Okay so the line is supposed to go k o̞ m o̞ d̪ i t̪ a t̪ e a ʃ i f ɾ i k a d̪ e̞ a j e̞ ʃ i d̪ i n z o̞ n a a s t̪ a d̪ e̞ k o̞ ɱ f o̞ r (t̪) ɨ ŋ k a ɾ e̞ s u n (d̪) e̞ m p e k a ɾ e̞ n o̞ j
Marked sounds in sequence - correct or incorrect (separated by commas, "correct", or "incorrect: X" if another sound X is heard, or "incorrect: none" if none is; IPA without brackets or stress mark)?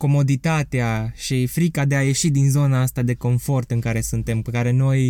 correct, incorrect: t̪